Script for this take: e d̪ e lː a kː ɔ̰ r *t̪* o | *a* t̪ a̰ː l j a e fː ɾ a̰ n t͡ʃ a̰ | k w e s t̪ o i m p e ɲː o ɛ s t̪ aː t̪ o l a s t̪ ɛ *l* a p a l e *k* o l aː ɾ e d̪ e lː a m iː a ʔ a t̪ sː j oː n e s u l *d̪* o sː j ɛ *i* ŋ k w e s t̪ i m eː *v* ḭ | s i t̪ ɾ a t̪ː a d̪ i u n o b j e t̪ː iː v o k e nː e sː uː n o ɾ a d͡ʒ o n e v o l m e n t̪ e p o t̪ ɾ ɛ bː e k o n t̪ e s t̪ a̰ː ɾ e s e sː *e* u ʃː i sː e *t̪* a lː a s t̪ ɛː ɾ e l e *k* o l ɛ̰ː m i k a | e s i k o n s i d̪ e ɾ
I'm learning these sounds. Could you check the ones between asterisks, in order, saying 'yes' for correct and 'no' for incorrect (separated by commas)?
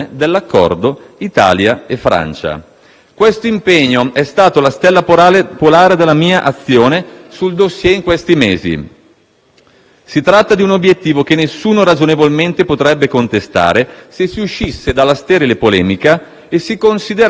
no, no, no, no, yes, yes, no, no, no, no